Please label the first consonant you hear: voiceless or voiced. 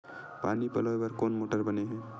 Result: voiceless